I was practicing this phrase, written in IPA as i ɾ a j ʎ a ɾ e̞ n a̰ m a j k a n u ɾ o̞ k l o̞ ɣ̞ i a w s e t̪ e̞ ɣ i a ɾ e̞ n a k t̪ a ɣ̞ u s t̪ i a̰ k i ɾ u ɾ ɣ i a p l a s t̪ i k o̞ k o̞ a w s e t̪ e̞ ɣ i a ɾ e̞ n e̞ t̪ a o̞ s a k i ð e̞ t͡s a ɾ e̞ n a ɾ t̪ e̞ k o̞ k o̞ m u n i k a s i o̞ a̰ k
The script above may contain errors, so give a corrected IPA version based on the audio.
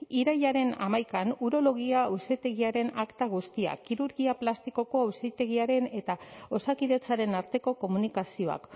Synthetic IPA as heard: i ɾ a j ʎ a ɾ e̞ n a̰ m a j k a n u ɾ o̞ l o̞ ɣ̞ i a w s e t̪ e̞ ɣ i a ɾ e̞ n a k t̪ a ɣ̞ u s t̪ i a̰ k i ɾ u ɾ ɣ i a p l a s t̪ i k o̞ k o̞ a w s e t̪ e̞ ɣ i a ɾ e̞ n e̞ t̪ a o̞ s a k i ð e̞ t͡s a ɾ e̞ n a ɾ t̪ e̞ k o̞ k o̞ m u n i k a s i o̞ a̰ k